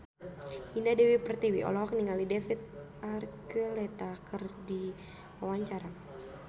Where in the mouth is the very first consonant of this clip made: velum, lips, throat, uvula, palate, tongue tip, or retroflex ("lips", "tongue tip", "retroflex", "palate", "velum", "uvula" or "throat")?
tongue tip